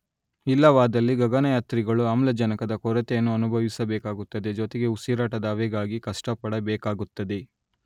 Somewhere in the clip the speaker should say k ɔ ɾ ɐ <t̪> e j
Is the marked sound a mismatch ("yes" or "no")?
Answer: no